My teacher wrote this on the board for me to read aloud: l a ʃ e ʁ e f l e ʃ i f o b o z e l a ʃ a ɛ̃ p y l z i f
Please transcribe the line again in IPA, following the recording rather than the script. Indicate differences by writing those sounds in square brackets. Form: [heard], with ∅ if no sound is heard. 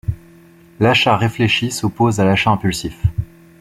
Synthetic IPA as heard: l a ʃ [a] ʁ e f l e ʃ i [s] o [p] o z [a] l a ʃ a ɛ̃ p y l [s] i f